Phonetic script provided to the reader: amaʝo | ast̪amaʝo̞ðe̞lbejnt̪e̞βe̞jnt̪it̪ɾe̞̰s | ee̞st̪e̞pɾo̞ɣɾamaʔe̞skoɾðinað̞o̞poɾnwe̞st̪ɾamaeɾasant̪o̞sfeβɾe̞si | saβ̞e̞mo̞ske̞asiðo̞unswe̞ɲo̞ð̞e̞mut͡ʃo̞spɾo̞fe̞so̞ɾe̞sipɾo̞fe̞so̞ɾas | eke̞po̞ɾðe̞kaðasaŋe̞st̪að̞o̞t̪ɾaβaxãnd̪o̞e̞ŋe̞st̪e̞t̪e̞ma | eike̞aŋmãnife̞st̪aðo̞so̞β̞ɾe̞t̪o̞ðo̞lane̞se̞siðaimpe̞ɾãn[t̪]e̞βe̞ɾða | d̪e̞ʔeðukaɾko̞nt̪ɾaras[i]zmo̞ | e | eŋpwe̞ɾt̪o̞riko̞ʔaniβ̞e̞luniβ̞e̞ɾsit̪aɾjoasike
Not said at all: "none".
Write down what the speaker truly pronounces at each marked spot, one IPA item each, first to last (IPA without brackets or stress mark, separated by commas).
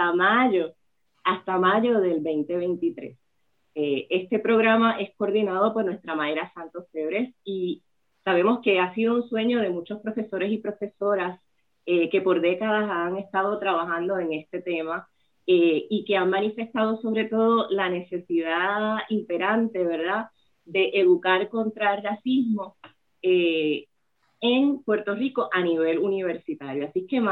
t̪, i